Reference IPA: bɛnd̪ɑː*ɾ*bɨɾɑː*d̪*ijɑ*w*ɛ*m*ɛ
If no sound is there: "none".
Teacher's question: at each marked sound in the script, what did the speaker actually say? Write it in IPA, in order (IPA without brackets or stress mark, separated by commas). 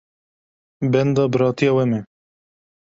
none, t̪, w, m